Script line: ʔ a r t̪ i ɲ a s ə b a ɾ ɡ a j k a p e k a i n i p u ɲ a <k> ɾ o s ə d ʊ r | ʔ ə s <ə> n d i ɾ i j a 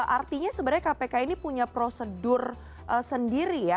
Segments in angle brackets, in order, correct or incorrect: incorrect: p, correct

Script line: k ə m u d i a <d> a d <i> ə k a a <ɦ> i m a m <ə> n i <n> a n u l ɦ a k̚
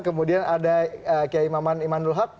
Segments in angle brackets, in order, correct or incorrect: incorrect: n, incorrect: a, incorrect: none, incorrect: a, incorrect: m

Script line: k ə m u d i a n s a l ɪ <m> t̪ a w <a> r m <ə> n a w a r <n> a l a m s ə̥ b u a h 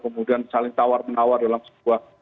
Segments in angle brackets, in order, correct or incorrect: incorrect: ŋ, correct, correct, incorrect: d

